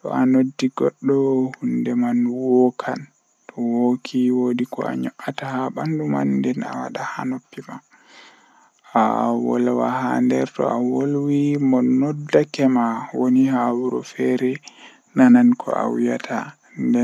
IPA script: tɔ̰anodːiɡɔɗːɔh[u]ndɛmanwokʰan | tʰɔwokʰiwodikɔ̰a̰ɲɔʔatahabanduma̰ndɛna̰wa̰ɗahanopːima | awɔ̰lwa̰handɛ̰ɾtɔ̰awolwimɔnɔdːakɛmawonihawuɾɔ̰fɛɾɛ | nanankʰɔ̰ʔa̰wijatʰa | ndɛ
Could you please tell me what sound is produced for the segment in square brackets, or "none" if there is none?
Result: u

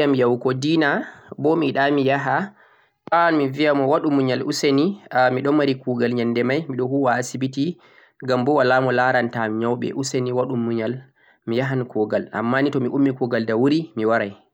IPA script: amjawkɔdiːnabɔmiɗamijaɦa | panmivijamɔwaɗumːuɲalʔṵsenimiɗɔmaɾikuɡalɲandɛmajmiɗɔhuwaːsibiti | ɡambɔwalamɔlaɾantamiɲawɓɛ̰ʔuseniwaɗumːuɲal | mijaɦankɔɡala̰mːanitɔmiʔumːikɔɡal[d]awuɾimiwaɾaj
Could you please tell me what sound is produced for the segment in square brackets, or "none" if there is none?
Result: d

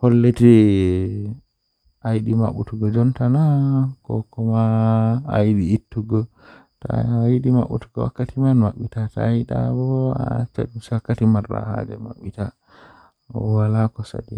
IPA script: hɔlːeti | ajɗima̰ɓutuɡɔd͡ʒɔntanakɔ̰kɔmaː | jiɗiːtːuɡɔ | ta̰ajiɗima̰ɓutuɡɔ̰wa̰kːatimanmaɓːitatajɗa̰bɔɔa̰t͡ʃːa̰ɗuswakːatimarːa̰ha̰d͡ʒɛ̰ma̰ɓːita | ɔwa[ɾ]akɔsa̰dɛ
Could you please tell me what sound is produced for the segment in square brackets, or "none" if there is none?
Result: l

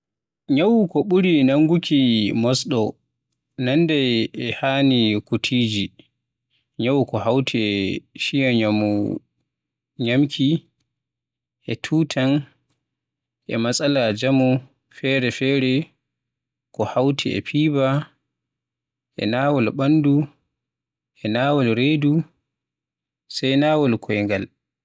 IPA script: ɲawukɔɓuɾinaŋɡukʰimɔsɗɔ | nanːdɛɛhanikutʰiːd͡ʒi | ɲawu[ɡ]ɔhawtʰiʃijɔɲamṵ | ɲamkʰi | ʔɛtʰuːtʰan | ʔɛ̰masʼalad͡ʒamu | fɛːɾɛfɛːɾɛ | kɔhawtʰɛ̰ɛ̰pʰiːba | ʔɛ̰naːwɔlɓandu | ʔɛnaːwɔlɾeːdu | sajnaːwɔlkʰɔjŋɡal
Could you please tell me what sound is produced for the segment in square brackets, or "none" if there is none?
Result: k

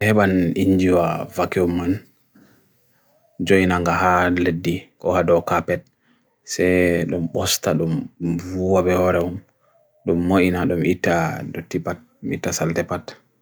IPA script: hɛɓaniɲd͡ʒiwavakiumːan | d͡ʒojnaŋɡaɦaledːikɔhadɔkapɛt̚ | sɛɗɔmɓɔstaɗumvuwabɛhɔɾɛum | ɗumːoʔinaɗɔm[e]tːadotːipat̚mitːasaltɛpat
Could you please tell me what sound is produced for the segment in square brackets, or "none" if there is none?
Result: i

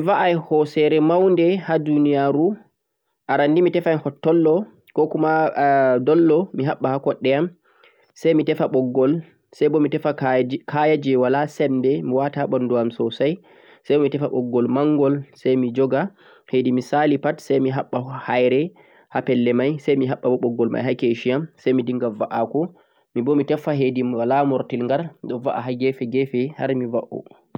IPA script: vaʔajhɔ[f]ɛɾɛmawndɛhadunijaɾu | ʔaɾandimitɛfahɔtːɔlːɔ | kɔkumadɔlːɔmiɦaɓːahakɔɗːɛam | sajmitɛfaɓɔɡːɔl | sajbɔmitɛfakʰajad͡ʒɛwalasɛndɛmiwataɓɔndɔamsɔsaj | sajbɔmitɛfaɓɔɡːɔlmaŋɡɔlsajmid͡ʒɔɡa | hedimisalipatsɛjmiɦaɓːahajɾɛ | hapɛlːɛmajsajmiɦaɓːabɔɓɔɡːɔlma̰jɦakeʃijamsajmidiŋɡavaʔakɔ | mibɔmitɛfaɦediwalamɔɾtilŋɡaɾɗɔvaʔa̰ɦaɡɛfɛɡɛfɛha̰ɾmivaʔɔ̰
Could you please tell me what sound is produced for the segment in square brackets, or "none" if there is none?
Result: s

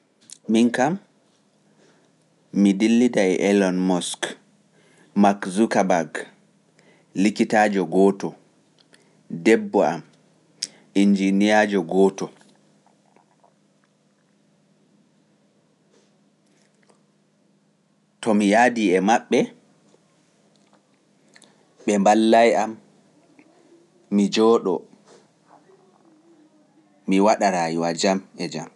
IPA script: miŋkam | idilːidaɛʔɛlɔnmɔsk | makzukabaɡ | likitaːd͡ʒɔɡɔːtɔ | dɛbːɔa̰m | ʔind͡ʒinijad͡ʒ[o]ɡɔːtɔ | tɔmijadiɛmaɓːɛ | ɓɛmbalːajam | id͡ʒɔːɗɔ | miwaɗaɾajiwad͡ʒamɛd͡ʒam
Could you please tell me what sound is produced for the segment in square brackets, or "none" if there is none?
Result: ɔ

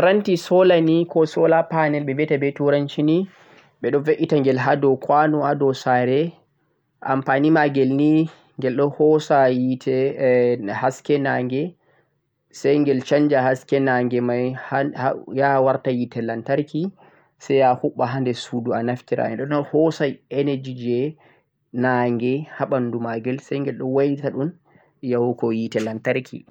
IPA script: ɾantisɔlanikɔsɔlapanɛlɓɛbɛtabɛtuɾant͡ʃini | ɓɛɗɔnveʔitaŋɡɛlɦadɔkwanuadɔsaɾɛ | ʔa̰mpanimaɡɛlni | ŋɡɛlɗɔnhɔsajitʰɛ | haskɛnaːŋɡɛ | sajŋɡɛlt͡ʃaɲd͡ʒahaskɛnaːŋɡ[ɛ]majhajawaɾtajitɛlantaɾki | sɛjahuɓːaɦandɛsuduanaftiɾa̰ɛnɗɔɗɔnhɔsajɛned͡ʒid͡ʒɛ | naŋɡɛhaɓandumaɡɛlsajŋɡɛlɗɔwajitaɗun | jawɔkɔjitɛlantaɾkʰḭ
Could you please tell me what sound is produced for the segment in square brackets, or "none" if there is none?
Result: ɛ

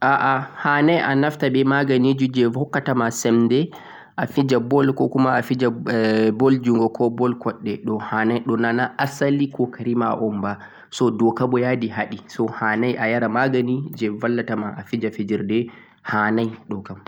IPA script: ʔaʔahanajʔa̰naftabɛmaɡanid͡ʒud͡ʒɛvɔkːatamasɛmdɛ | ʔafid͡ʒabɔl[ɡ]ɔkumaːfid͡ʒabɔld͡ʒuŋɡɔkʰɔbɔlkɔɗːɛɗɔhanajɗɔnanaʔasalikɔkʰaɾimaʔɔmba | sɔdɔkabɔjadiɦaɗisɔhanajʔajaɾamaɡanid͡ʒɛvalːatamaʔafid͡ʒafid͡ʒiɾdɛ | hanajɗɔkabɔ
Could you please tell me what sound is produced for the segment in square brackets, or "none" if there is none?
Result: k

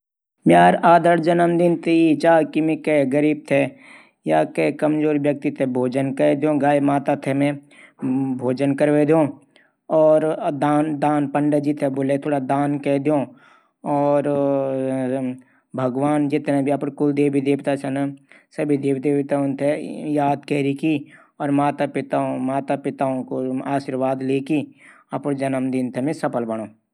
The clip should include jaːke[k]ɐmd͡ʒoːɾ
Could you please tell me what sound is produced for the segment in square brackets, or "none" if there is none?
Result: k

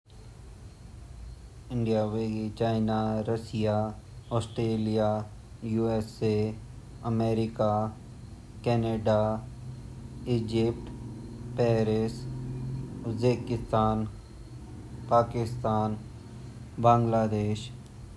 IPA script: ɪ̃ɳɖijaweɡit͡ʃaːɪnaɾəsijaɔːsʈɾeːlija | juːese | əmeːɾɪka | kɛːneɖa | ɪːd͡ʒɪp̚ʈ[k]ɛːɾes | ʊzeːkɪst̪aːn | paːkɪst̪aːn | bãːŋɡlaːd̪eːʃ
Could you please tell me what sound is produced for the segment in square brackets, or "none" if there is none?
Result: p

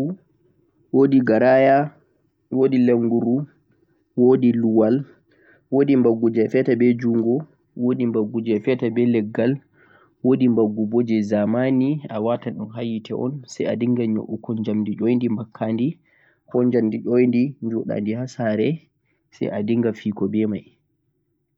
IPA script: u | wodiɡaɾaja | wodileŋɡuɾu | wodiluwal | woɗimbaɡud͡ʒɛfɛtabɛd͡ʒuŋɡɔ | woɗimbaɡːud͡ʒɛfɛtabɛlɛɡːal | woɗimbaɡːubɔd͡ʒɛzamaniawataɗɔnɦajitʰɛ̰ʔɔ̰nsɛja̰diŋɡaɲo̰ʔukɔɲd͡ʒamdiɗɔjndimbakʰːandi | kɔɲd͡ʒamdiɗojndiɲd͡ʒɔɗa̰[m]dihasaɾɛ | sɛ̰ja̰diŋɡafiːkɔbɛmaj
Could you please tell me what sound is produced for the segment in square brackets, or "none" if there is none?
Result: n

